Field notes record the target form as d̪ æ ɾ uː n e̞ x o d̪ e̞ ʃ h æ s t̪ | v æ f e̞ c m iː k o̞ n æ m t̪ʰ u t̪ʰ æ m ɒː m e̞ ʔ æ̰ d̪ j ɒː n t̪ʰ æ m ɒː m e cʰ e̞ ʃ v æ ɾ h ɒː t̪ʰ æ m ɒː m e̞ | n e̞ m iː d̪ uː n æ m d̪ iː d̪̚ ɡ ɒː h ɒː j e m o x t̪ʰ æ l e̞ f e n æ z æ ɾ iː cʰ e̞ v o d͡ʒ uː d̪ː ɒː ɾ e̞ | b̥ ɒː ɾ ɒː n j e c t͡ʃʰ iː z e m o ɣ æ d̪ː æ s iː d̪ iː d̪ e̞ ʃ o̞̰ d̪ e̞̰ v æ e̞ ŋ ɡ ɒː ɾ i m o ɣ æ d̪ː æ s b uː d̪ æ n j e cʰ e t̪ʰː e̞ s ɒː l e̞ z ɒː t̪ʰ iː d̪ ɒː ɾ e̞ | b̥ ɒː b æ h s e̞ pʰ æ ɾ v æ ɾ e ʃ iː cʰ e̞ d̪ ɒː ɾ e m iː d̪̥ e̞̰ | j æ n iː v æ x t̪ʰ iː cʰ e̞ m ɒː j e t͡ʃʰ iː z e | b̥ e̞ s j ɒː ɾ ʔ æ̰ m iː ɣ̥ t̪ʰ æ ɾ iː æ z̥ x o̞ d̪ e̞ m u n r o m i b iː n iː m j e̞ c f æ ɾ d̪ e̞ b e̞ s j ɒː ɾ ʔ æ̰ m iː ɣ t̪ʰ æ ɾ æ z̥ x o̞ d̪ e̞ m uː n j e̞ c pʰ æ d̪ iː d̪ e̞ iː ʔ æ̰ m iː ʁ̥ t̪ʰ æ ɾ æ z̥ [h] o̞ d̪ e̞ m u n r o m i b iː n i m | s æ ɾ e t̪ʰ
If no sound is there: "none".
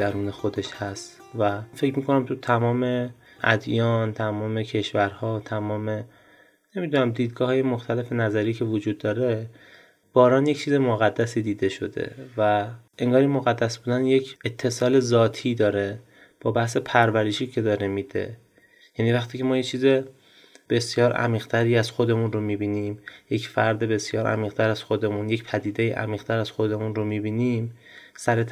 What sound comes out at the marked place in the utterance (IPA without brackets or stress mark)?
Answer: x